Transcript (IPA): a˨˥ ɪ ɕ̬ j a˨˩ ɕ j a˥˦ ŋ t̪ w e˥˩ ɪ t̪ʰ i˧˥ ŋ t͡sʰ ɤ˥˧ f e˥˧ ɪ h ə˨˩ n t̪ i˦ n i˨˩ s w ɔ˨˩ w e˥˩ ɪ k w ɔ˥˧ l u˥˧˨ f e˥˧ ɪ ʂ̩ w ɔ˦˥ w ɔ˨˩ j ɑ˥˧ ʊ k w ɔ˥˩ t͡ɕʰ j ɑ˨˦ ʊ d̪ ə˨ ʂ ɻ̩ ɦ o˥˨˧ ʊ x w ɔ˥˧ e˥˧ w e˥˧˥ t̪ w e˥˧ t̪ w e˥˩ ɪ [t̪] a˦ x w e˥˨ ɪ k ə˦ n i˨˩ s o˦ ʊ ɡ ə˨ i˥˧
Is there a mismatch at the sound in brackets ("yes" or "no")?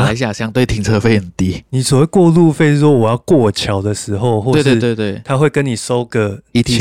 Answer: yes